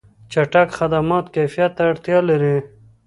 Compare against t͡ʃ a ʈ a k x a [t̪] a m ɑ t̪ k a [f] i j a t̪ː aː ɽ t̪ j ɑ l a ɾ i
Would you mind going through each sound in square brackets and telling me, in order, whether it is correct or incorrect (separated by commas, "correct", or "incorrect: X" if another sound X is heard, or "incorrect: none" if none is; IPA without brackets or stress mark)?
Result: incorrect: d̪, correct